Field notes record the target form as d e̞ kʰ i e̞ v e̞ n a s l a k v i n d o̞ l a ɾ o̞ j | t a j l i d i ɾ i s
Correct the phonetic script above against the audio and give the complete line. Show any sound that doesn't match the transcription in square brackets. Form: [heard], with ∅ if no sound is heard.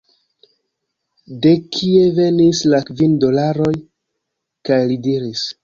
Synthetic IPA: d e̞ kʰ i e̞ v e̞ n [i] s l a k v i n d o̞ l a ɾ o̞ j | [k] a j l i d i ɾ i s